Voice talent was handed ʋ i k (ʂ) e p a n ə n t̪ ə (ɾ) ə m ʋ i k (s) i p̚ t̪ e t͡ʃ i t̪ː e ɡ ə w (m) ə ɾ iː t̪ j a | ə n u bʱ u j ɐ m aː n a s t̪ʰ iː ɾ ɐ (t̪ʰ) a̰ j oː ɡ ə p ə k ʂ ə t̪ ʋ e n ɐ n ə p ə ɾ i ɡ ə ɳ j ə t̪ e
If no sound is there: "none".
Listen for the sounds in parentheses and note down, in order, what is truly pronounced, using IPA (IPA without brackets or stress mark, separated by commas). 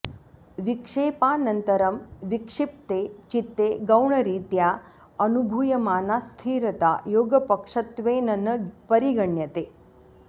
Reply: ʂ, ɾ, ʂ, ɳ, t̪